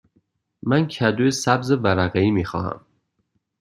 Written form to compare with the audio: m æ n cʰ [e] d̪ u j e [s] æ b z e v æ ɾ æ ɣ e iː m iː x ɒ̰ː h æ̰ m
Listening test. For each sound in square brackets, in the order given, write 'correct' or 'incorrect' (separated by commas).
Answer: incorrect, correct